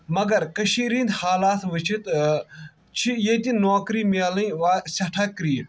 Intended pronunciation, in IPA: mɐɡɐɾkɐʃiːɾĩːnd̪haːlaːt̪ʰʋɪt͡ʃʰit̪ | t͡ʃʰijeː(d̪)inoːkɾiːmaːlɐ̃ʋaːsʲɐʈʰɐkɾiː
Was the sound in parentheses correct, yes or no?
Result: no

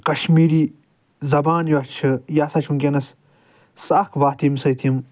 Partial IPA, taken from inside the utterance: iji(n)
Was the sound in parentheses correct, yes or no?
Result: no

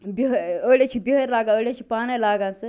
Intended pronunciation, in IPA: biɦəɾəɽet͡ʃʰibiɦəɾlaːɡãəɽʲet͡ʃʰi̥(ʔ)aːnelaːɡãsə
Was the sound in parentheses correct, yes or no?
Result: no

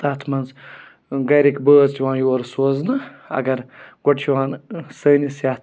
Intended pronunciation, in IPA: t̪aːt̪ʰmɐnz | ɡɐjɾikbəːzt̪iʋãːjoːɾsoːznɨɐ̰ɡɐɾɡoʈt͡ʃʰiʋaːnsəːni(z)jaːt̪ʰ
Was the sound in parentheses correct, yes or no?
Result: no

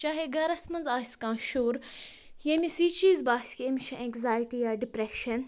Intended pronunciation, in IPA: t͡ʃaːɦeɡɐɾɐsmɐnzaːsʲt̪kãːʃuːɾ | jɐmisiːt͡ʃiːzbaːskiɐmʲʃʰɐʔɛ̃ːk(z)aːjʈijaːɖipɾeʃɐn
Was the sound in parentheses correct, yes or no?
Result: yes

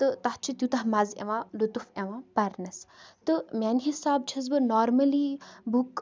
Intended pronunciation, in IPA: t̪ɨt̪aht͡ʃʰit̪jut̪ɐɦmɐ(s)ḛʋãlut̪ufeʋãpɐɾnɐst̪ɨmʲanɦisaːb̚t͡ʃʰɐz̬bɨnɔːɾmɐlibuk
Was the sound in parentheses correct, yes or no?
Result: no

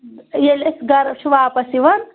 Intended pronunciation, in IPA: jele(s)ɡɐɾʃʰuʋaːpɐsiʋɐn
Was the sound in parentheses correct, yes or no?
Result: yes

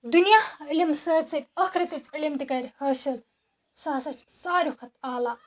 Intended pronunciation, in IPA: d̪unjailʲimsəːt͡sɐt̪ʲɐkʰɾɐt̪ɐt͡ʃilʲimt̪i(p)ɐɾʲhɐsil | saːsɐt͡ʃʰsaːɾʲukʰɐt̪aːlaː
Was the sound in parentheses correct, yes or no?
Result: no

